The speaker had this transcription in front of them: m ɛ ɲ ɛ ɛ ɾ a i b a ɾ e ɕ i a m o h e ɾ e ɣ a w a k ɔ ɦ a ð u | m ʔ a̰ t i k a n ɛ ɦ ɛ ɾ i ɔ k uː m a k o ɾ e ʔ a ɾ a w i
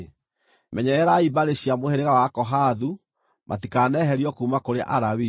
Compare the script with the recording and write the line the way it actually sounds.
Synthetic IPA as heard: m ɛ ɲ ɛ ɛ ɾ a i b a ɾ e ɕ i a m o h e ɾ e ɣ a w a k ɔ ɦ a ð u | m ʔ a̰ t i k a n ɛ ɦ ɛ ɾ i ɔ k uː m a k o ɾ e ʔ a ɾ a w i